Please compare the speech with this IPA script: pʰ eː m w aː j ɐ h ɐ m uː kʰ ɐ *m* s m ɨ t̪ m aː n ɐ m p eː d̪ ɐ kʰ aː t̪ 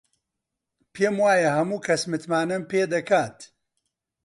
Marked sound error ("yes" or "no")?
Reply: yes